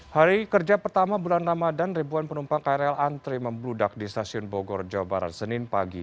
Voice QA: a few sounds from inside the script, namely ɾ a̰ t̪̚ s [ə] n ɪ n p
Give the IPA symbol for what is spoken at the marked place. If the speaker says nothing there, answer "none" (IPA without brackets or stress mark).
ə